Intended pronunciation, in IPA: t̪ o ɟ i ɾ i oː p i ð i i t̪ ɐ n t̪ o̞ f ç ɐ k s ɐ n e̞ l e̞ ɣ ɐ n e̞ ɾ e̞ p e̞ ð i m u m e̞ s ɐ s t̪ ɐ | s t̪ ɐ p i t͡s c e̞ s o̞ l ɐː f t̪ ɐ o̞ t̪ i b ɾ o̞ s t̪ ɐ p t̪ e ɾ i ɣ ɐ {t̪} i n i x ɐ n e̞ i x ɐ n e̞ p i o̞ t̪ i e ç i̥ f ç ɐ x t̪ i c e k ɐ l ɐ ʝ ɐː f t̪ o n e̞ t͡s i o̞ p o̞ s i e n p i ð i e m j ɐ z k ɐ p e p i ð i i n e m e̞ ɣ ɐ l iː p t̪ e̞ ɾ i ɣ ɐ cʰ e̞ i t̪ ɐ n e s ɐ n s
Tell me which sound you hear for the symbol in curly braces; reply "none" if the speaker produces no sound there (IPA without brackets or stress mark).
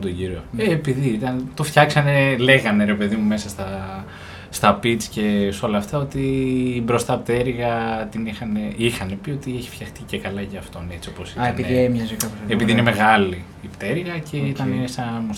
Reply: t̪